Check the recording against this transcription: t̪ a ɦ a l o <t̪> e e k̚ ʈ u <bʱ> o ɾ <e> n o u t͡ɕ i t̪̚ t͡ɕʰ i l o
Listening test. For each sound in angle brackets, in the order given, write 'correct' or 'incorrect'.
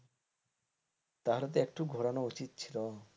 correct, incorrect, incorrect

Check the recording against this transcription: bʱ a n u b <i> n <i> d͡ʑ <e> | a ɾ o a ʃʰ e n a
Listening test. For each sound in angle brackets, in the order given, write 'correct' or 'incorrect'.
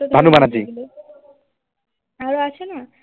incorrect, incorrect, incorrect

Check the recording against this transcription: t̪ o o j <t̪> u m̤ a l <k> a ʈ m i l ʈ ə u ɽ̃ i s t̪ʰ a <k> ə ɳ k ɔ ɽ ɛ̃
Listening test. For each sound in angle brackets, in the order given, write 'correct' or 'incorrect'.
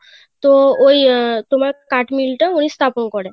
correct, correct, incorrect

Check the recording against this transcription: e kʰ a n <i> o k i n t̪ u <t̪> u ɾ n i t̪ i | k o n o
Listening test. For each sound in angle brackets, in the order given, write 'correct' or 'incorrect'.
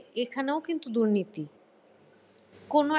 incorrect, incorrect

